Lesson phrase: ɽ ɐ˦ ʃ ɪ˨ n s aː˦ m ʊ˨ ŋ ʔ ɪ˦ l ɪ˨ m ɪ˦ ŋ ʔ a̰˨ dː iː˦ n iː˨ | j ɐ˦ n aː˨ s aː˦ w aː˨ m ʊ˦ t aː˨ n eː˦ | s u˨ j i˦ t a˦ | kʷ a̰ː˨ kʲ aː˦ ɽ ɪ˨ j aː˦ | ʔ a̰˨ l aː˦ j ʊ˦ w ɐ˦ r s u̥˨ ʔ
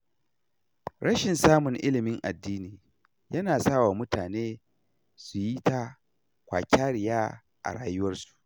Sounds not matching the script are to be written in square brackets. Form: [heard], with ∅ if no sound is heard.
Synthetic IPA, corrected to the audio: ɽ ɐ˦ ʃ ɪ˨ n s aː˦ m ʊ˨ ŋ ʔ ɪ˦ l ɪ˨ m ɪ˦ ŋ ʔ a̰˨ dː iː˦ n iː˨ | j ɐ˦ n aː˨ s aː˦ w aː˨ m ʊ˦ t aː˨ n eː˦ | s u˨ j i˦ t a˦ | kʷ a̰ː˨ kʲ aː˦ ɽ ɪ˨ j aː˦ | ʔ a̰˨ [ɽ] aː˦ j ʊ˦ w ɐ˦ r s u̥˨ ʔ